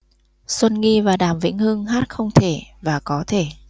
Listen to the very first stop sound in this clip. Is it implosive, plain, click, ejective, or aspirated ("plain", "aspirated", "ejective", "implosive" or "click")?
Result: implosive